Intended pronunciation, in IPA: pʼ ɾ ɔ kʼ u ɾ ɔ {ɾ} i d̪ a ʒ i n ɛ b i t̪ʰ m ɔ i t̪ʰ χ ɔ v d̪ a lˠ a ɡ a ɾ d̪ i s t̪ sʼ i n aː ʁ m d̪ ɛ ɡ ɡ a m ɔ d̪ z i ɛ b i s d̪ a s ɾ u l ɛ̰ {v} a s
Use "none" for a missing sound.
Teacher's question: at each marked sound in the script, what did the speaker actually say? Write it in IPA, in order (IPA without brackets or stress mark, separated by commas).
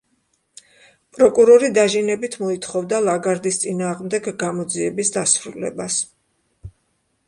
ɾ, b